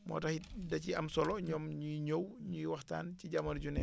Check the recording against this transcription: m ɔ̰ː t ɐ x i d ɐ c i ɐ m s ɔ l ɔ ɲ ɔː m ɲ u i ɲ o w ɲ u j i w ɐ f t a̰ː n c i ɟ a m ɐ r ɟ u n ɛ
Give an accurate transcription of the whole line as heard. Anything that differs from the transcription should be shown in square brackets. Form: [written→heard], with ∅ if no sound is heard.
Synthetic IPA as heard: m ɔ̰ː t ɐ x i d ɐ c i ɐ m s ɔ l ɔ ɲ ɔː m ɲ u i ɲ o w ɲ u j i w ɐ [f→x] t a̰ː n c i ɟ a m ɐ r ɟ u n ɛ